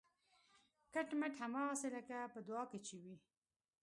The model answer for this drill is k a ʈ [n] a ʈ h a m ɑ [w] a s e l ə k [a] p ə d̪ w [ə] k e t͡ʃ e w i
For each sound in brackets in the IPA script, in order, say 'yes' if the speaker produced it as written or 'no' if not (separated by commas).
no, no, yes, no